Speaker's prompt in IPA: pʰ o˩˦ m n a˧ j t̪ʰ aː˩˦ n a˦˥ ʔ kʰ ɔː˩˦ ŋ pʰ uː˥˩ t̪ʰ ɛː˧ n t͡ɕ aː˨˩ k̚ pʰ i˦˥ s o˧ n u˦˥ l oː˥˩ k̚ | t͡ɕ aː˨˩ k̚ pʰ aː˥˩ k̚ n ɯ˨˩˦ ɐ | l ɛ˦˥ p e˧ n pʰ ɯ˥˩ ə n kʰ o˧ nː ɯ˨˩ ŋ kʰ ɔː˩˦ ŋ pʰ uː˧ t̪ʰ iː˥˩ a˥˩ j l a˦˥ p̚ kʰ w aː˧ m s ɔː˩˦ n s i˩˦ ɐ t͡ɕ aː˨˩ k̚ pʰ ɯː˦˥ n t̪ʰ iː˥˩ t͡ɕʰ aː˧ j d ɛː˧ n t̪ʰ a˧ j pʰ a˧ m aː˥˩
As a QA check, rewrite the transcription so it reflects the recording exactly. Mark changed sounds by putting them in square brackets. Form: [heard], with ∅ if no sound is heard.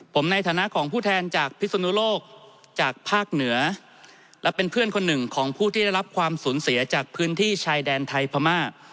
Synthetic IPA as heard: pʰ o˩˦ m n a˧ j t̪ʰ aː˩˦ n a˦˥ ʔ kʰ ɔː˩˦ ŋ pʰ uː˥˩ t̪ʰ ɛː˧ n t͡ɕ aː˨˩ k̚ pʰ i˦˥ s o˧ n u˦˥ l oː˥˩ k̚ | t͡ɕ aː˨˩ k̚ pʰ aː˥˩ k̚ n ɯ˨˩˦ ɐ | l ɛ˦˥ p e˧ n pʰ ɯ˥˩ ə n kʰ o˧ nː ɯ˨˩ ŋ kʰ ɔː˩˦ ŋ pʰ [uː˥˩] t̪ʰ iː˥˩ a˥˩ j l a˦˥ p̚ kʰ w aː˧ m s [uː˩˦] n s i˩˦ ɐ t͡ɕ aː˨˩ k̚ pʰ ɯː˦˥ n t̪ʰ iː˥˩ t͡ɕʰ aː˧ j d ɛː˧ n t̪ʰ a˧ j pʰ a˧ m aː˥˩